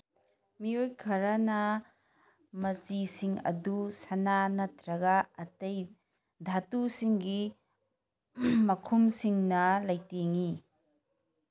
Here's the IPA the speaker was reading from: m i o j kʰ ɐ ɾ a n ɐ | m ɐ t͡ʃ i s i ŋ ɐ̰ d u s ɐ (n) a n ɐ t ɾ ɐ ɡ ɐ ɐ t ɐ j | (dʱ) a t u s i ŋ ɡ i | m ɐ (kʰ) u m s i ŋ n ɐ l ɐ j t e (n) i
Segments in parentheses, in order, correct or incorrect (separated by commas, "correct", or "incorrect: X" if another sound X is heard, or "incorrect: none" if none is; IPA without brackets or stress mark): correct, correct, correct, incorrect: ŋ